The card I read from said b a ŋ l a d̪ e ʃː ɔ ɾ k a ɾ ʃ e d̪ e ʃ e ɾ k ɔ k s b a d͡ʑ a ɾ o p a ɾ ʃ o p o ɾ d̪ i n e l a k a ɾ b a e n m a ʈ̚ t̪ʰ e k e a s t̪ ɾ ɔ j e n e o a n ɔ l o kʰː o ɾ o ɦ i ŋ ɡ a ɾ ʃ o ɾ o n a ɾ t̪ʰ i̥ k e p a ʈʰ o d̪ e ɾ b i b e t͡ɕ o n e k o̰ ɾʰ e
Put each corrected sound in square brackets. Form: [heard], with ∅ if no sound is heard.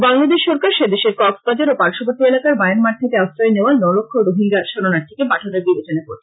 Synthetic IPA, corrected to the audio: b a ŋ l a d̪ e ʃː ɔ ɾ k a ɾ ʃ e d̪ e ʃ e ɾ k ɔ k s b a d͡ʑ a ɾ o p a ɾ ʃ o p o ɾ [t̪] i [∅] e l a k a ɾ b a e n m a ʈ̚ t̪ʰ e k e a s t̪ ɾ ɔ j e n e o a n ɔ l o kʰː o ɾ o ɦ i ŋ ɡ a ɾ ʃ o ɾ o n a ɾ t̪ʰ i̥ k e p a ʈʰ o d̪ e ɾ b i b e t͡ɕ o n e k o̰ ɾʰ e